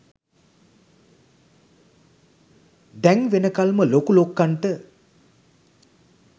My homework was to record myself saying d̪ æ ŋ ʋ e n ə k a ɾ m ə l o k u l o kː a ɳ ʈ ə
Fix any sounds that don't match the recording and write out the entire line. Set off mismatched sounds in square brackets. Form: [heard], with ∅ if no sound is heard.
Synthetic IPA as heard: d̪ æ ŋ ʋ e n ə k a [l] m ə l o k u l o kː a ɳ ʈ ə